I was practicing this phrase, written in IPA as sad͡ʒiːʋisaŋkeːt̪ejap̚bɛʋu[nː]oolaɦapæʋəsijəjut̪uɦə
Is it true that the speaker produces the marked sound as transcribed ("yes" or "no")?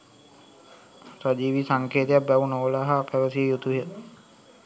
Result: no